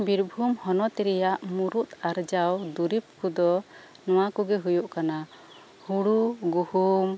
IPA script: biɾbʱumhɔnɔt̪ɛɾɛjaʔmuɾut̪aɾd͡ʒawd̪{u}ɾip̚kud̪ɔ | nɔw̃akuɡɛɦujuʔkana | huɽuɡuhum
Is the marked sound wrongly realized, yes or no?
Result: no